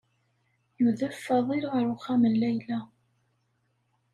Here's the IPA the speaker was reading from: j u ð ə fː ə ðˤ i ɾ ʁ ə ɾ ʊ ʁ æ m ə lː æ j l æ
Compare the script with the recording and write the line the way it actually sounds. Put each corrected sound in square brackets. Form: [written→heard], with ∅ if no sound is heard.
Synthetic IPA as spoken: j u ð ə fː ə ðˤ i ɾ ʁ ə ɾ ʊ [ʁ→χ] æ m ə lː æ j l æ